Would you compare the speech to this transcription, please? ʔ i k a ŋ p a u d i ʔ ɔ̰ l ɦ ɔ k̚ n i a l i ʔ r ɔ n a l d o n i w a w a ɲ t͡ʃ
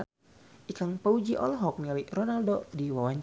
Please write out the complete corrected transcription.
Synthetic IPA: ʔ i k a ŋ p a u d͡ʒ i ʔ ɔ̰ l ɦ ɔ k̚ n i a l i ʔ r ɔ n a l d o d i w a w a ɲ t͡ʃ